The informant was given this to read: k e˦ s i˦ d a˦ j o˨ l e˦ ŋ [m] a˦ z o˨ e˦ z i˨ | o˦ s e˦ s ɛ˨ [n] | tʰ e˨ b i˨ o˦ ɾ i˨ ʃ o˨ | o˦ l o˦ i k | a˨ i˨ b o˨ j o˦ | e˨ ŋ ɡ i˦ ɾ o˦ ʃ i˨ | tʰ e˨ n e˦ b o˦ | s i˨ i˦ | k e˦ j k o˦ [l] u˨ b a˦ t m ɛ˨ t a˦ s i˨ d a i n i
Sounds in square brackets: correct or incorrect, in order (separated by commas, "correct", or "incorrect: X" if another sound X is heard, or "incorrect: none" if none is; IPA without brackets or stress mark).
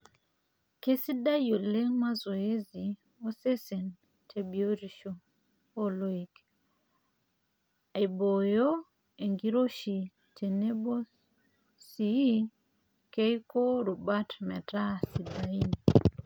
correct, correct, incorrect: ɾ